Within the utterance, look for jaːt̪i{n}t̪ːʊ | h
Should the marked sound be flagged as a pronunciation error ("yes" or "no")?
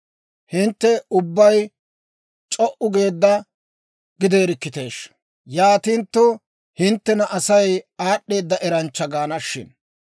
no